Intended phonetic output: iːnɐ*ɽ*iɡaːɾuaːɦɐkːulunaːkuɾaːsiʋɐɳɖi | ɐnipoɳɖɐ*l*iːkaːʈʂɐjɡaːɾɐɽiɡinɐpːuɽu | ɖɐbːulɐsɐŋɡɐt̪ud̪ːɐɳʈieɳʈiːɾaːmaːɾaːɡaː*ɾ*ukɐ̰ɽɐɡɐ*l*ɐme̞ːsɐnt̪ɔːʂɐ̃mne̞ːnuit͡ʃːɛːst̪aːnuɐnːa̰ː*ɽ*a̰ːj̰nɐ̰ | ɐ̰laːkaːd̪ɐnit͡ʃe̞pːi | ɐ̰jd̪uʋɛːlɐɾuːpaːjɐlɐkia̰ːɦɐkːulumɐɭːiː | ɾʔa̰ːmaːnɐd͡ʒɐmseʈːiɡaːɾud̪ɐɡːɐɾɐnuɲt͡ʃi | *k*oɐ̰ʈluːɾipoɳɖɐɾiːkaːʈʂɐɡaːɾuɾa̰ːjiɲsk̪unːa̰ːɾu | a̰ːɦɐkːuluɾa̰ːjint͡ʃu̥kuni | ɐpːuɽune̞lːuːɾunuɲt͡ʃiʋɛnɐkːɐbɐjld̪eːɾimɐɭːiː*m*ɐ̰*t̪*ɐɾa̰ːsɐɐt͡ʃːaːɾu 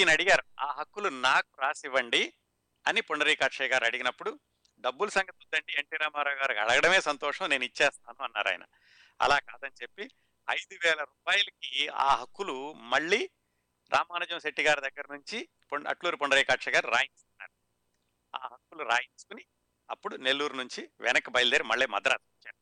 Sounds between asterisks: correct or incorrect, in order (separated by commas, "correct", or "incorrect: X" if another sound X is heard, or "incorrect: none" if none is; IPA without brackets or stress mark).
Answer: correct, incorrect: ɾ, correct, incorrect: ɽ, incorrect: ɾ, incorrect: p, correct, incorrect: d̪